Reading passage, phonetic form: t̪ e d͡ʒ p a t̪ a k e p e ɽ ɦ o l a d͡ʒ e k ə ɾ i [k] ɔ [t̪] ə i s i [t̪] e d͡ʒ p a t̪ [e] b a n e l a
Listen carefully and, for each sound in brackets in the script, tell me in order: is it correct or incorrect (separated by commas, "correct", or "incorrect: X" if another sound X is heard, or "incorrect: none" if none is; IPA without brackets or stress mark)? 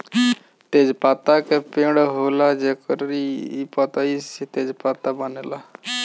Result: incorrect: p, correct, correct, incorrect: a